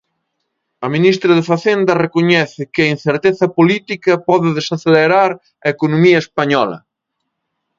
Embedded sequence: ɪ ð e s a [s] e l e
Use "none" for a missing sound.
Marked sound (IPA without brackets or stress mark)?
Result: θ